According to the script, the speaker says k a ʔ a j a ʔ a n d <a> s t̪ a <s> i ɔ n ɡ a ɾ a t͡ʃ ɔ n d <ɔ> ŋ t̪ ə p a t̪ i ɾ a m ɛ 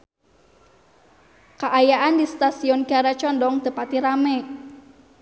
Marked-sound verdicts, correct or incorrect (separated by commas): incorrect, correct, correct